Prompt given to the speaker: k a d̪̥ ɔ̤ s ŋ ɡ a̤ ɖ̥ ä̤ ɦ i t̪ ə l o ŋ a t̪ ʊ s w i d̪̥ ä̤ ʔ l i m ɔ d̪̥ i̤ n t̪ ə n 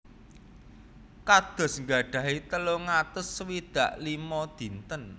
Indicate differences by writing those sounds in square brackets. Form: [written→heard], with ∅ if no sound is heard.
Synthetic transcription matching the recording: k a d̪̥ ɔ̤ s ŋ ɡ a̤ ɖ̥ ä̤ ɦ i t̪ ə l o ŋ a t̪ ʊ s w i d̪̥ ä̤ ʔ l i m ɔ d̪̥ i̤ n t̪ ə n